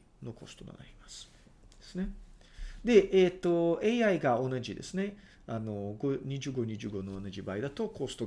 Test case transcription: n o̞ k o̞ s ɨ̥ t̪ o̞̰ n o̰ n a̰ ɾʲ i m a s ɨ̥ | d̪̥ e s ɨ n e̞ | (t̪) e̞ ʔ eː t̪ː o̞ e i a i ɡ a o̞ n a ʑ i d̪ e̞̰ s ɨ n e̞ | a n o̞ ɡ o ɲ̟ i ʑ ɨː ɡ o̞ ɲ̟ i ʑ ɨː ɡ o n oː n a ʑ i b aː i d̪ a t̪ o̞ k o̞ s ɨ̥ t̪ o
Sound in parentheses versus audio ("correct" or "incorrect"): incorrect